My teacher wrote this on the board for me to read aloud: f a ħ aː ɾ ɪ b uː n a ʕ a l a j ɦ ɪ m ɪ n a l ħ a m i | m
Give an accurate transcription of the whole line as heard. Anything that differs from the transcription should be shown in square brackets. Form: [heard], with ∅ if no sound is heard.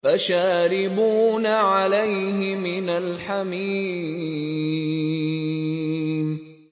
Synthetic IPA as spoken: f a [ʃ] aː ɾ ɪ b uː n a ʕ a l a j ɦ ɪ m ɪ n a l ħ a m [iː] | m